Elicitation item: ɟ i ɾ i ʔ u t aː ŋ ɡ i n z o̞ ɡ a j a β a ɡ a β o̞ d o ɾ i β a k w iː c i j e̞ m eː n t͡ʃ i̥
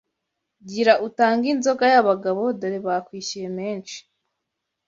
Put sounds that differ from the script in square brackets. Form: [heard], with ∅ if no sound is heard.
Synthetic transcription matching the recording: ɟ i ɾ [a] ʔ u t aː ŋ ɡ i n z o̞ ɡ a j a β a ɡ a β o̞ d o ɾ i β a k w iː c i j e̞ m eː n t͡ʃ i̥